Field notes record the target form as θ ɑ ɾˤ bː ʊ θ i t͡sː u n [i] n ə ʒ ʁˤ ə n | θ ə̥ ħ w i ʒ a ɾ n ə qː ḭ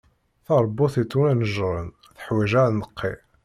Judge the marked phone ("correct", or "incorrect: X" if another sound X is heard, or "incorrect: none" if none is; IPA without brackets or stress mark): incorrect: æ